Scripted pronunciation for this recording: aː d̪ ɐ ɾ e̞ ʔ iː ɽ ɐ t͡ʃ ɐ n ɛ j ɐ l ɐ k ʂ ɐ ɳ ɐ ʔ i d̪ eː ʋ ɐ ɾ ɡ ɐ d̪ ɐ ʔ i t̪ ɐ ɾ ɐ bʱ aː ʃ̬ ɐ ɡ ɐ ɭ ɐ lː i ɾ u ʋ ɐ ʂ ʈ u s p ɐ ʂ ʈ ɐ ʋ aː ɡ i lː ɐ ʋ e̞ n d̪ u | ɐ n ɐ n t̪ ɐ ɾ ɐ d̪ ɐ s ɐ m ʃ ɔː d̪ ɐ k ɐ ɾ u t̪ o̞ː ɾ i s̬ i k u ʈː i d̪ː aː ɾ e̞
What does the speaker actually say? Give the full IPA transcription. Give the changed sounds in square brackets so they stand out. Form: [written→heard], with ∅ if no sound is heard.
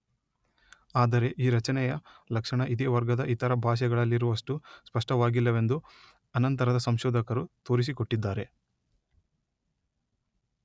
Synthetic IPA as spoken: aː d̪ ɐ ɾ e̞ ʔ iː [ɽ→ɾ] ɐ t͡ʃ ɐ n ɛ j ɐ l ɐ k ʂ ɐ ɳ ɐ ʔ i d̪ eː ʋ ɐ ɾ ɡ ɐ d̪ ɐ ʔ i t̪ ɐ ɾ ɐ bʱ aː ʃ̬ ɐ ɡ ɐ ɭ ɐ lː i ɾ u ʋ ɐ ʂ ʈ u s p ɐ ʂ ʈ ɐ ʋ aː ɡ i lː ɐ ʋ e̞ n d̪ u | ɐ n ɐ n t̪ ɐ ɾ ɐ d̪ ɐ s ɐ m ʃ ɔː d̪ ɐ k ɐ ɾ u t̪ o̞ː ɾ i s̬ i k [u→o] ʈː i d̪ː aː ɾ e̞